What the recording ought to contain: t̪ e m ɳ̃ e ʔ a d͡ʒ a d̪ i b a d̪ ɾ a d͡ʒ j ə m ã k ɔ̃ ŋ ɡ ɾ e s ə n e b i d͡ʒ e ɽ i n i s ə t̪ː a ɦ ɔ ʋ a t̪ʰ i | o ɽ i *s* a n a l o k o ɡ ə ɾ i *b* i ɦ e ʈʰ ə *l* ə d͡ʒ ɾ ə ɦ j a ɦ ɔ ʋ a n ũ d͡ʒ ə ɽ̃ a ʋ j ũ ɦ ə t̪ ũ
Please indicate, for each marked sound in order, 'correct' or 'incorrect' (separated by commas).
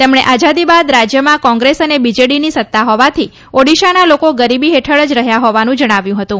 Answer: incorrect, correct, incorrect